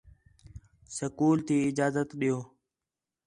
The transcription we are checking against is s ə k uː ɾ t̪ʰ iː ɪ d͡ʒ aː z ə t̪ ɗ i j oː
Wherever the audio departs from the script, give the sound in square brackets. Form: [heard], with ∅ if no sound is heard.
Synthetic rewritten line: s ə k uː [l] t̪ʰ iː ɪ d͡ʒ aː z ə t̪ ɗ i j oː